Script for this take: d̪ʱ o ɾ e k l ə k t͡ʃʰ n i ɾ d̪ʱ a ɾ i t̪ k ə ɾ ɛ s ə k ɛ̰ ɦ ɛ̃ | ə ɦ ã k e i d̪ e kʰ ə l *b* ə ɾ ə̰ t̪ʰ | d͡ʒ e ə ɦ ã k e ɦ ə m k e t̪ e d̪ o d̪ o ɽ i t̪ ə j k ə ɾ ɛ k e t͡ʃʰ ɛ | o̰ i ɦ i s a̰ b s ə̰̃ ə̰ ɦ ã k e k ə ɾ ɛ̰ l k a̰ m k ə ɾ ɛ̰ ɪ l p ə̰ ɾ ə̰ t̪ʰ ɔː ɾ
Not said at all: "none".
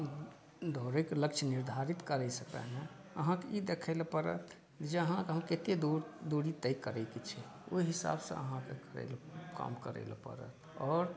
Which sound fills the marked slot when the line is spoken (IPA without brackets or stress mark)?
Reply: p